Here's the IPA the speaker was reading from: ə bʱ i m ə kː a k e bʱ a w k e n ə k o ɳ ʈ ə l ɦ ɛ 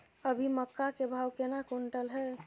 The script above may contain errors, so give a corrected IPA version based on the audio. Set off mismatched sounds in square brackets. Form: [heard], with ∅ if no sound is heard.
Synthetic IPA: ə bʱ i m ə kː a k e bʱ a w k e n [a] k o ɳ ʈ ə l ɦ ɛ